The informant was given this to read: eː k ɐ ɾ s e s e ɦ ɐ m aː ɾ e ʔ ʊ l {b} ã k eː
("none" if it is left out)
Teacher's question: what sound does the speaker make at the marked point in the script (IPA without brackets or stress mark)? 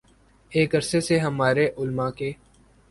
m